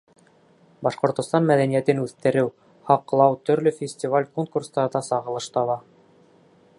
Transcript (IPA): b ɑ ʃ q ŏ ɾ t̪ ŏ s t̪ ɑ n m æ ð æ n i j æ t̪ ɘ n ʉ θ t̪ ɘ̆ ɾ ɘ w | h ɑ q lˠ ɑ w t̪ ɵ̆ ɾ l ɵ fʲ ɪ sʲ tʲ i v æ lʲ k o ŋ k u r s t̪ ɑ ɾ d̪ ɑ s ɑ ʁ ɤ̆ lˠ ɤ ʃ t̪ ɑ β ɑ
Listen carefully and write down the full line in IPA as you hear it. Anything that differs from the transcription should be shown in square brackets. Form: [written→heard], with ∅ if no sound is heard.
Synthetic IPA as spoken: b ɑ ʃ q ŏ ɾ t̪ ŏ s t̪ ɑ n m æ ð æ n i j æ t̪ ɘ n ʉ θ t̪ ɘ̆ ɾ ɘ w | h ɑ q lˠ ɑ w t̪ ɵ̆ ɾ l ɵ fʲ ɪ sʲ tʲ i v [æ→a] lʲ k o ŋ k u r s t̪ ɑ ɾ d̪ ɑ s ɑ ʁ ɤ̆ lˠ ɤ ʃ t̪ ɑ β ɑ